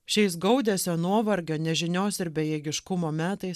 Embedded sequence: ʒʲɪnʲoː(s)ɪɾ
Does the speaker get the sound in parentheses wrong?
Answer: no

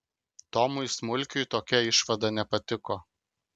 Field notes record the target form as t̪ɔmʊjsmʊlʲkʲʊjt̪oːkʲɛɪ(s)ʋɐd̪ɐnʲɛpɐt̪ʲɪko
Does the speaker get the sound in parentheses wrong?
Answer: yes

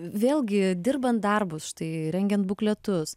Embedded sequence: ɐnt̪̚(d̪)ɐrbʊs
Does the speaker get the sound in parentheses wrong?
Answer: no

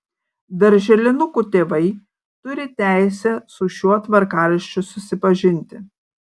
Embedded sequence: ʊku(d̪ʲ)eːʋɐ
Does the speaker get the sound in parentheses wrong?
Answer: yes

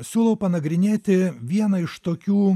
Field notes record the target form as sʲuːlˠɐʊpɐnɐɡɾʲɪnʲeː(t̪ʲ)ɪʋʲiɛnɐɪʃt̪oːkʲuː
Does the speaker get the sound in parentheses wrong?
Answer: no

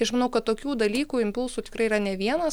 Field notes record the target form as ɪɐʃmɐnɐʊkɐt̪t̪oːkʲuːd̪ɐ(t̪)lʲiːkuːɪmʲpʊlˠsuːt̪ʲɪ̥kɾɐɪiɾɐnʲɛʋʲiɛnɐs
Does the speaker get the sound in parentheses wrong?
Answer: yes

